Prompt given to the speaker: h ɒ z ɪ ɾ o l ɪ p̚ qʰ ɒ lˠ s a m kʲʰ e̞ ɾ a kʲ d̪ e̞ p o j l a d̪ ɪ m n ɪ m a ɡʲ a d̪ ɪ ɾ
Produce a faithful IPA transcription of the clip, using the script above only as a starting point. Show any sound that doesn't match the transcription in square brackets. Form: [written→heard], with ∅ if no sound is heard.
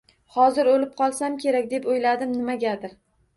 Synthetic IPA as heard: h ɒ z ɪ ɾ o l ɪ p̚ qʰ ɒ lˠ s a m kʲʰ e̞ ɾ a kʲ d̪ e̞ p o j l a d̪ ɪ m n ɪ m a ɡʲ a d̪ ɪ ɾ

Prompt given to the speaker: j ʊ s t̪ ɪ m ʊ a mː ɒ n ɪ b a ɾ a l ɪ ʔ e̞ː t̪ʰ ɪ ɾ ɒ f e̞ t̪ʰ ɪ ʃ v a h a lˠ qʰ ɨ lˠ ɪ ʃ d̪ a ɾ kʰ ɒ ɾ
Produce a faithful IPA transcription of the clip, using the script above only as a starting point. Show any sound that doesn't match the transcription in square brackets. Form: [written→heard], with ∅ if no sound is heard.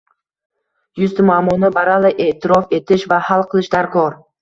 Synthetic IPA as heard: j ʊ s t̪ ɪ m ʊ a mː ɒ n ɪ b a ɾ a l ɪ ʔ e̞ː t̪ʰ ɪ ɾ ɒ f e̞ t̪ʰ ɪ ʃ v a h a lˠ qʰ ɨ lˠ ɪ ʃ d̪ a ɾ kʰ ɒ ɾ

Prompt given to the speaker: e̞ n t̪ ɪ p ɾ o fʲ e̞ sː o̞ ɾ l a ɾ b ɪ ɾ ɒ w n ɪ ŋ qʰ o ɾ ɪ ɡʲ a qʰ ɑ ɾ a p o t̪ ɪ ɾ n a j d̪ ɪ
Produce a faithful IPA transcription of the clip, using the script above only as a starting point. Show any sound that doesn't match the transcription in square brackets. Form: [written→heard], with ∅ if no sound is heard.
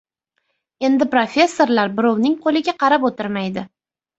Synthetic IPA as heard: e̞ n [t̪→d̪] ɪ p ɾ o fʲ e̞ sː o̞ ɾ l a ɾ b ɪ ɾ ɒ w n ɪ ŋ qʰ o [ɾ→l] ɪ ɡʲ a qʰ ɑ ɾ a p o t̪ ɪ ɾ [n→m] a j d̪ ɪ

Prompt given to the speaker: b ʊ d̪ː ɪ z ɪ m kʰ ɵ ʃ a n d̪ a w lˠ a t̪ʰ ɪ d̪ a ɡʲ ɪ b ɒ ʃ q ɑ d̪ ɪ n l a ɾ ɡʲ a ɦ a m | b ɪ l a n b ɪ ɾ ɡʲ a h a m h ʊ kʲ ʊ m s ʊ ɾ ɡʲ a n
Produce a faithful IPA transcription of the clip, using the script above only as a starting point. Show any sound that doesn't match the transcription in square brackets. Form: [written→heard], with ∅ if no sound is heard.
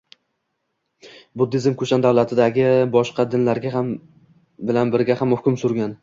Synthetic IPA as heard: b ʊ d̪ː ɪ z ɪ m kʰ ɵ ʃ a n d̪ a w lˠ a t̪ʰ ɪ d̪ a ɡʲ ɪ b ɒ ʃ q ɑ d̪ ɪ n l a ɾ ɡʲ a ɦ a m | b ɪ l a n b ɪ ɾ ɡʲ a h a m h ʊ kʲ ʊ m s ʊ ɾ ɡʲ a n

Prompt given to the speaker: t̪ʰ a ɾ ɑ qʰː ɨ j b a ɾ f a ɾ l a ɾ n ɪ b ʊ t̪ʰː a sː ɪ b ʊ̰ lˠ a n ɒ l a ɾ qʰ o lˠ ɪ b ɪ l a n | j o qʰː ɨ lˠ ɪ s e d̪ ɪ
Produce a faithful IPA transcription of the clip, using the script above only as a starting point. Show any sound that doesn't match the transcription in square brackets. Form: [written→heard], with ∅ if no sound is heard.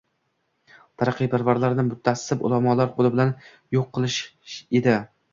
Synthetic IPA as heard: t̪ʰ a ɾ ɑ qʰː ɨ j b a ɾ [f→v] a ɾ l a ɾ n ɪ [b→m] ʊ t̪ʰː a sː ɪ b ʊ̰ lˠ a [n→m] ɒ l a ɾ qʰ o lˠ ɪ b ɪ l a n | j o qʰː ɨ lˠ ɪ [s→ʃ] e d̪ ɪ

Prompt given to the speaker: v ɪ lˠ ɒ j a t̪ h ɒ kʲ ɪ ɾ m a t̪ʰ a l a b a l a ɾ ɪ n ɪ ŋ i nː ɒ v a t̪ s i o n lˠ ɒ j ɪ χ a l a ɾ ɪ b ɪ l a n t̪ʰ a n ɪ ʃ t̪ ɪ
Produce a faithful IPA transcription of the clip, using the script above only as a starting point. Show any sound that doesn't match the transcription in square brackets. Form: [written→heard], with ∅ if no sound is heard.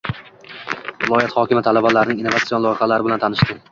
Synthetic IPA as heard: v ɪ lˠ ɒ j a t̪ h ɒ kʲ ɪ [ɾ→∅] m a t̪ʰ a l a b a l a ɾ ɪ n ɪ ŋ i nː [ɒ→o] v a t̪ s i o n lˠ ɒ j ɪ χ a l a ɾ ɪ b ɪ l a n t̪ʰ a n ɪ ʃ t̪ ɪ

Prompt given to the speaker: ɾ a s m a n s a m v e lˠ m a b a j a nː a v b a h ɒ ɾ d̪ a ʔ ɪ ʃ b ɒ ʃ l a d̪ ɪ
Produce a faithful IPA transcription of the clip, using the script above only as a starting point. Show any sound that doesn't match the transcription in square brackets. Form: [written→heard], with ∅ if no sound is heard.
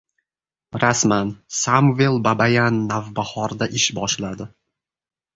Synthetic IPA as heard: ɾ a s m a n s a m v e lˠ [m→b] a b a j a nː a v b a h ɒ ɾ d̪ a ʔ ɪ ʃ b ɒ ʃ l a d̪ ɪ

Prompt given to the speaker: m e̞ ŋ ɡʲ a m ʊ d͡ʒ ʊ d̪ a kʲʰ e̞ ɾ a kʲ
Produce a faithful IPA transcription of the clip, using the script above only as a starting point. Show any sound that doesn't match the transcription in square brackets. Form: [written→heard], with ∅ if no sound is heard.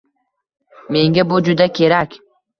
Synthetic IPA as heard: m e̞ ŋ ɡʲ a [m→b] ʊ d͡ʒ ʊ d̪ a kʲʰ e̞ ɾ a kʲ

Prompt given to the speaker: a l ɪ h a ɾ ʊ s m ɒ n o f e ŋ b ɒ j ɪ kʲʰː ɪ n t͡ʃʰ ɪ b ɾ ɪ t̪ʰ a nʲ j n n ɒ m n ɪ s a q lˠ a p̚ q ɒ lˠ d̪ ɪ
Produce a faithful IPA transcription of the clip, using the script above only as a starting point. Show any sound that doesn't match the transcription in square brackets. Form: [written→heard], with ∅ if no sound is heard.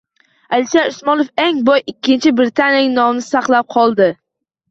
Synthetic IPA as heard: a l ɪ [h→ʃ] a ɾ ʊ s m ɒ n o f e ŋ b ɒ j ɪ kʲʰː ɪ n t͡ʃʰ ɪ b ɾ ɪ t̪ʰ a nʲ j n n ɒ m n ɪ s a q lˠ a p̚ [q→qʰ] ɒ lˠ d̪ ɪ

